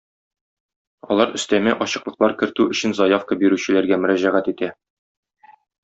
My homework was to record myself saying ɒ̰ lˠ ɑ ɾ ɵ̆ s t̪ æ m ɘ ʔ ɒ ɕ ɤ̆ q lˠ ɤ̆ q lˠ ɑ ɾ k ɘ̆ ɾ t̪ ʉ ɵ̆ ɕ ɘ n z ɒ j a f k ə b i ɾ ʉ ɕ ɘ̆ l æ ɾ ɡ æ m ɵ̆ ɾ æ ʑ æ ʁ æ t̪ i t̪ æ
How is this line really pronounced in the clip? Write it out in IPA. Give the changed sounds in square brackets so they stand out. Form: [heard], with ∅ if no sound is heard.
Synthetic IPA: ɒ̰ lˠ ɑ ɾ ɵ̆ s t̪ æ m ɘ ʔ ɒ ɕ ɤ̆ q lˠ ɤ̆ q lˠ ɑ ɾ k ɘ̆ ɾ t̪ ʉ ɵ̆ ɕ ɘ n z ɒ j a f k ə b i ɾ ʉ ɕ ɘ̆ l æ ɾ ɡ æ m ɵ̆ ɾ æ ʑ æ ʁ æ t̪ i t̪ æ